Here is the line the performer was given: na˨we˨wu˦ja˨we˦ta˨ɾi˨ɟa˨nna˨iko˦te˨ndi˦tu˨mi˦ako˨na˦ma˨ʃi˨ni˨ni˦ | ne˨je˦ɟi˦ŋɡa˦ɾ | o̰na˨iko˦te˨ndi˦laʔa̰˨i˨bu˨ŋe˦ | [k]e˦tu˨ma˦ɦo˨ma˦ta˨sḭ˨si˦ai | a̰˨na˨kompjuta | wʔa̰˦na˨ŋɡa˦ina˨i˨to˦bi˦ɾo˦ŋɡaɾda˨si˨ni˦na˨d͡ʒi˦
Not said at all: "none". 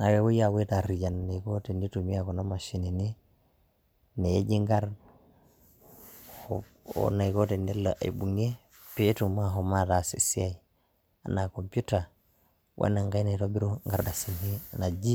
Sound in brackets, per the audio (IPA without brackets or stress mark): p